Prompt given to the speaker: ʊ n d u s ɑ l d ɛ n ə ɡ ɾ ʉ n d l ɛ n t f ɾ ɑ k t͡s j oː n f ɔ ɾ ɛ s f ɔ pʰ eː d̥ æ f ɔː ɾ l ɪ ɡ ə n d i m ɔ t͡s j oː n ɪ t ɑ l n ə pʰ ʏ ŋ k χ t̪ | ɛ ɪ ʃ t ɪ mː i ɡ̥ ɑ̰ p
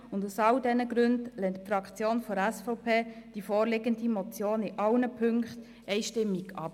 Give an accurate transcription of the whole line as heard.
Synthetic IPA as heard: ʊ n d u s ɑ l d ɛ n ə ɡ ɾ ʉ n d l ɛ n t f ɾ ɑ k t͡s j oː n f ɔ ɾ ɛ s f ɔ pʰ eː d̥ i f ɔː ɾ l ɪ ɡ ə n d i m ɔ t͡s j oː n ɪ ʔ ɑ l n ə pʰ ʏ ŋ k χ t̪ | ɛ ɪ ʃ t ɪ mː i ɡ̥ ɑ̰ p